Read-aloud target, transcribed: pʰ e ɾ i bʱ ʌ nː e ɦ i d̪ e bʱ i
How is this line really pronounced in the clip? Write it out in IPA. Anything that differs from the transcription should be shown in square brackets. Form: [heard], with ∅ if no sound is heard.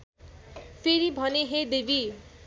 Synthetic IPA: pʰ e ɾ i bʱ ʌ [n] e ɦ [e] d̪ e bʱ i